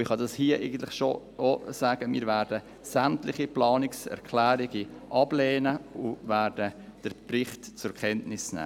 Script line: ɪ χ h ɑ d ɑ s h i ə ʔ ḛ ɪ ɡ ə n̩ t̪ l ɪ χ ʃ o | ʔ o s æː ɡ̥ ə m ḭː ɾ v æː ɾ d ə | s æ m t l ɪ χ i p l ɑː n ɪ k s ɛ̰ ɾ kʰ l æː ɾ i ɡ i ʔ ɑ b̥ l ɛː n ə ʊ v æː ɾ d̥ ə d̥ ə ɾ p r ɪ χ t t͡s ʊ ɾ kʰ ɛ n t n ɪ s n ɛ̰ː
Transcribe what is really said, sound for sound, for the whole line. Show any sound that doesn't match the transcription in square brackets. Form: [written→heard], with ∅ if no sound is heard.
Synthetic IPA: ɪ χ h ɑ d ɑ s h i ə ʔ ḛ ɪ ɡ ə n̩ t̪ l ɪ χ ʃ o | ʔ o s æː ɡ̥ ə m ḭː ɾ v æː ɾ d ə | s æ m t l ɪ χ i p l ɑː n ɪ k s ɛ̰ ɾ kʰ l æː ɾ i ɡ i ʔ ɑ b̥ l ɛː n ə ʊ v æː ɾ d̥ ə d̥ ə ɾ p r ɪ χ t t͡s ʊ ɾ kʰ ɛ n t n ɪ s n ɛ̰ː